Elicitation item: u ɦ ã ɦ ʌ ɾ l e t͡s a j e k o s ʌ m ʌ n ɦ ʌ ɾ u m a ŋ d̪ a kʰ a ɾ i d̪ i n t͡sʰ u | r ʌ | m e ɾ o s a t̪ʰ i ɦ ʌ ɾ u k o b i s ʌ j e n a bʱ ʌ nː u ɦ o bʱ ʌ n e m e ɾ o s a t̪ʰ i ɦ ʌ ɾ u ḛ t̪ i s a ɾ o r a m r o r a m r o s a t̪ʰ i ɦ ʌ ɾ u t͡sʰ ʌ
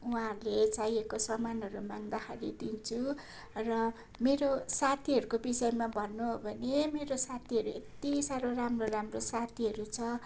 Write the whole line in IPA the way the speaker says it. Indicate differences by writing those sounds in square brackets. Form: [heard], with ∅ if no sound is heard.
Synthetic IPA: u ɦ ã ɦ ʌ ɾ l e t͡s a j e k o s ʌ m [a] n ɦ ʌ ɾ u m a ŋ d̪ a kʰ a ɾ i d̪ i n t͡sʰ u | r ʌ | m e ɾ o s a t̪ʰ i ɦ ʌ ɾ u k o b i s ʌ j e [m] a bʱ ʌ nː u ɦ o bʱ ʌ n e m e ɾ o s a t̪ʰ i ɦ ʌ ɾ u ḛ t̪ i s a ɾ o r a m r o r a m r o s a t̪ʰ i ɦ ʌ ɾ u t͡sʰ ʌ